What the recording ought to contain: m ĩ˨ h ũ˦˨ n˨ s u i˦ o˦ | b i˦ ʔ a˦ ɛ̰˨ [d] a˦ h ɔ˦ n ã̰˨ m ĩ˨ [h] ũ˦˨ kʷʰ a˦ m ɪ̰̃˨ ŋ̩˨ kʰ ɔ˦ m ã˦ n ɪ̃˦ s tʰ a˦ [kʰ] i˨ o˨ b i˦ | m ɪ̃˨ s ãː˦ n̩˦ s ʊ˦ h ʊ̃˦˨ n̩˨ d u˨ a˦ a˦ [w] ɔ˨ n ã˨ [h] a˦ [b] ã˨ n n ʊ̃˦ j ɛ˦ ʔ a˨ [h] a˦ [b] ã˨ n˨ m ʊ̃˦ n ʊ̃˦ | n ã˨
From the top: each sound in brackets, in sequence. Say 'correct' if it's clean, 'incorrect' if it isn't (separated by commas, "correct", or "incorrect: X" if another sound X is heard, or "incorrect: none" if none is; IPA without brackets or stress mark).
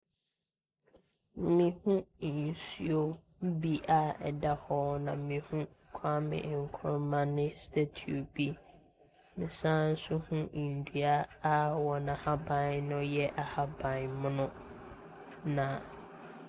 correct, correct, incorrect: tʰ, correct, correct, correct, correct, correct